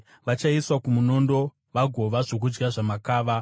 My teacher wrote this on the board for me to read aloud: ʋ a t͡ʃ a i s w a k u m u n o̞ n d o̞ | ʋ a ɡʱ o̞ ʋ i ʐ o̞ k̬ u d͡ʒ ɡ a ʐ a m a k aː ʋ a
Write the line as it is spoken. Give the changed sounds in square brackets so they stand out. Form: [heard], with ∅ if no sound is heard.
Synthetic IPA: ʋ a t͡ʃ a i s w a k u m u n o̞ n d o̞ | ʋ a ɡʱ o̞ ʋ [a] ʐ o̞ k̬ u d͡ʒ ɡ a ʐ a m a k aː ʋ a